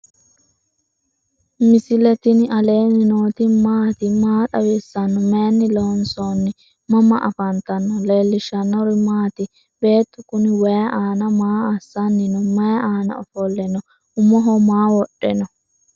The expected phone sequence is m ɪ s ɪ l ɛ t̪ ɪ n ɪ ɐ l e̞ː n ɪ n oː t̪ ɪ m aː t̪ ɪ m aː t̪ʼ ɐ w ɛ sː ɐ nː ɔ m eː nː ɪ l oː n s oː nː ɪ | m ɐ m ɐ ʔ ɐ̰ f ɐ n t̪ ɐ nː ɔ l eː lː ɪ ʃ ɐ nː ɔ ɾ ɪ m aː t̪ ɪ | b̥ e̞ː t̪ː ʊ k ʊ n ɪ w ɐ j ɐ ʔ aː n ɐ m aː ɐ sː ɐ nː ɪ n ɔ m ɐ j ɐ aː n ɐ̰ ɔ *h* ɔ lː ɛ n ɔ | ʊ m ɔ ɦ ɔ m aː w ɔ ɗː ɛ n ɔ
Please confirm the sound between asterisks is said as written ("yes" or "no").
no